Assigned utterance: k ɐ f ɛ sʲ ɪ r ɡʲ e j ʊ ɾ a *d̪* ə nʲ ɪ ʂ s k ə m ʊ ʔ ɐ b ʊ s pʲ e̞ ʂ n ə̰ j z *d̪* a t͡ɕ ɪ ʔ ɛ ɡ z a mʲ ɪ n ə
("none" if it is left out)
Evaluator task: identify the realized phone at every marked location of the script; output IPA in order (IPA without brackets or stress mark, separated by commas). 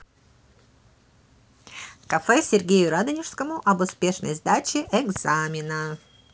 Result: d̪, d̪